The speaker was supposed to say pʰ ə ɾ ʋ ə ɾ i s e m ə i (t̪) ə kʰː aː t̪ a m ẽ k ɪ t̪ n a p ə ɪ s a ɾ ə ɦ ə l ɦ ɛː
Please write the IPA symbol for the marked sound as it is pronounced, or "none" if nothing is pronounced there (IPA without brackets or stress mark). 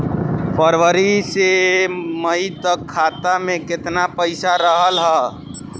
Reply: t̪